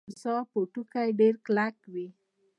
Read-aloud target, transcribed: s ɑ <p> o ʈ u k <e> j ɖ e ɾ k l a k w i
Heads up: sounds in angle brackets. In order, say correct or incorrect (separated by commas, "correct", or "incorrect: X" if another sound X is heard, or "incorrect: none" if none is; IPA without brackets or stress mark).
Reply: correct, incorrect: a